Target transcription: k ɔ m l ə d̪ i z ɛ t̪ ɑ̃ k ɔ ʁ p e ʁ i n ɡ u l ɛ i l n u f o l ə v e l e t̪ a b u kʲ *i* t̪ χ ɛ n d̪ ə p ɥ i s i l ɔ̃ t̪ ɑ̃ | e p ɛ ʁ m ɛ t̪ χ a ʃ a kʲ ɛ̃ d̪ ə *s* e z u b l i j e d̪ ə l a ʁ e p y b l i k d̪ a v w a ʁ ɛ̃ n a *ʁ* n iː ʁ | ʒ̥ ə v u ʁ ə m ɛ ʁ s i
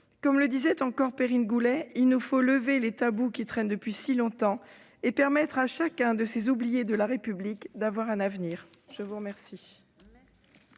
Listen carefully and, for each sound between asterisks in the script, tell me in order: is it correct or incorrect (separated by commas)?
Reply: correct, correct, incorrect